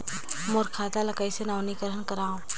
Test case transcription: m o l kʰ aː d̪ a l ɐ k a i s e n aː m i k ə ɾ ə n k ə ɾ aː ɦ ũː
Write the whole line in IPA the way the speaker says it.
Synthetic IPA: m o ɾ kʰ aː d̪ a l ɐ k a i s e n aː n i k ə ɾ ə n k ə ɾ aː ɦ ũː